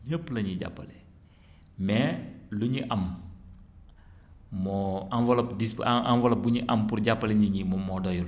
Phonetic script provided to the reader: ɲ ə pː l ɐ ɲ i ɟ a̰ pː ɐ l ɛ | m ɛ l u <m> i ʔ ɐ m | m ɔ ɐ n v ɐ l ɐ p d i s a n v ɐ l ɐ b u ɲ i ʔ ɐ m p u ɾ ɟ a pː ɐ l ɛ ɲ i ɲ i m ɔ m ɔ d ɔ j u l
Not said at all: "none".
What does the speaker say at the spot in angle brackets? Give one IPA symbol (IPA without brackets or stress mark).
ɲ